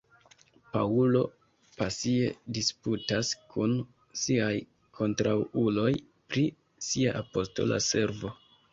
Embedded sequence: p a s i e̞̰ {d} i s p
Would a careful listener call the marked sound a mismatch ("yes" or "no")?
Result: no